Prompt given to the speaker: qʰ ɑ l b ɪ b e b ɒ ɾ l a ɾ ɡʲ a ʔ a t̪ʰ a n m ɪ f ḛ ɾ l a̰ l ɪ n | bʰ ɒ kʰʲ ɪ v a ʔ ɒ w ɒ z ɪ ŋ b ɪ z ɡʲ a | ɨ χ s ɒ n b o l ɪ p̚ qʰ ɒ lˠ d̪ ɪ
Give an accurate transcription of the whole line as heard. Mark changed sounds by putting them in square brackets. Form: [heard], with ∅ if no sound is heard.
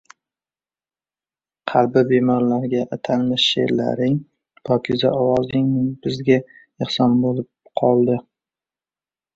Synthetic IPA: qʰ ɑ l b ɪ b e [m] ɒ ɾ l a ɾ ɡʲ a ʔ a t̪ʰ a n m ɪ [ʃ] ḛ ɾ l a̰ [ɾ] ɪ [ŋ] | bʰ ɒ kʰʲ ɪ [z] a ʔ ɒ w ɒ z ɪ ŋ b ɪ z ɡʲ a | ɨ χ s ɒ n b o l ɪ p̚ qʰ ɒ lˠ d̪ ɪ